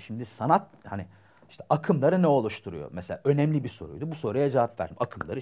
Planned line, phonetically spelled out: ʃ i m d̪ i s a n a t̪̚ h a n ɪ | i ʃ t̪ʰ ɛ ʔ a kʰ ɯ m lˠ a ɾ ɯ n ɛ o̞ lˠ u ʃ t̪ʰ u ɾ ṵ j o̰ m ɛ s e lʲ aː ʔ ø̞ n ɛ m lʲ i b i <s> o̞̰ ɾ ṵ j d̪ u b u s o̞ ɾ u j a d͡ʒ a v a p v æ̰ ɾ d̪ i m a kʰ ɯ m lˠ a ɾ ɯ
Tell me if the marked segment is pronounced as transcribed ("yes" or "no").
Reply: yes